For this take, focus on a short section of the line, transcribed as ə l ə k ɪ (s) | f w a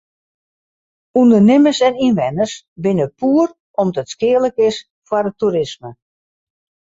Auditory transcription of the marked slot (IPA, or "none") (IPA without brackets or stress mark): s